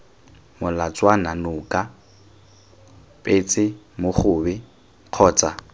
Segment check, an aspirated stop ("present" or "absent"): present